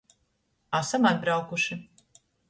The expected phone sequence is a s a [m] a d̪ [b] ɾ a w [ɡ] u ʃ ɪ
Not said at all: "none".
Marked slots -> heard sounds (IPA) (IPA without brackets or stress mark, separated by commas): m, b, k